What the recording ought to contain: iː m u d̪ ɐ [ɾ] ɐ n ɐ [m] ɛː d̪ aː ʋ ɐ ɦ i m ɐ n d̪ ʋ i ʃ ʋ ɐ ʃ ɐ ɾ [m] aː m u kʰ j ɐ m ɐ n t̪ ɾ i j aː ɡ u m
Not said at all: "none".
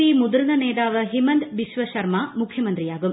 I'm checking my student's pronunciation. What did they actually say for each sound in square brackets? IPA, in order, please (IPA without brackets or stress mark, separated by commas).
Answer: ɾ, n, m